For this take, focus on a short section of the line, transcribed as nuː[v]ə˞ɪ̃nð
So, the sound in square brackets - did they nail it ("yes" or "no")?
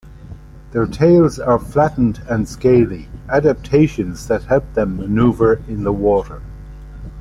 yes